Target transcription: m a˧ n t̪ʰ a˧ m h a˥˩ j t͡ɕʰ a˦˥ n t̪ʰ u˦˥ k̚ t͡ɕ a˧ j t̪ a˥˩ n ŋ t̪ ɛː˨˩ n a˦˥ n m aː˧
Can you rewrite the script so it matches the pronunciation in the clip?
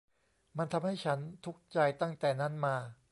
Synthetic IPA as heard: m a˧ n t̪ʰ a˧ m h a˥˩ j t͡ɕʰ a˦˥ n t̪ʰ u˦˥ k̚ t͡ɕ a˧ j t̪ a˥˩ ŋ t̪ ɛː˨˩ n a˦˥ n m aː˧